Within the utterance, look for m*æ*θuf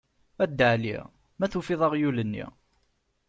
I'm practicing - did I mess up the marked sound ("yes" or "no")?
no